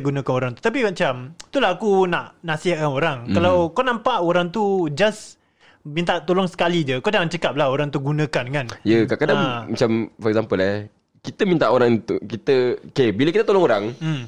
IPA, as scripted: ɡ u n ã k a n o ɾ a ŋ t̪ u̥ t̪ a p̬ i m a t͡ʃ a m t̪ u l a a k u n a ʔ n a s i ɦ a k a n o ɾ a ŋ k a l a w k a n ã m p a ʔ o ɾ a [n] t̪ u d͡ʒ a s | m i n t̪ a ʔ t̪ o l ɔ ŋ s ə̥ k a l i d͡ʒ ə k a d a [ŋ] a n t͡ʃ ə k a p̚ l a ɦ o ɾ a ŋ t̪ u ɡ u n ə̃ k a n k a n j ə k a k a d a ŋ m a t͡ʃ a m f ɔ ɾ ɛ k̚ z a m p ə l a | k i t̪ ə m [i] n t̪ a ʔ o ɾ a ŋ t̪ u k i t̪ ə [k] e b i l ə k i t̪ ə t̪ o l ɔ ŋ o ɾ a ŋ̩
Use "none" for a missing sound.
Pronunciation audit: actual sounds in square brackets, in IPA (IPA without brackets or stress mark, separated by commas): ŋ, ŋ, i, k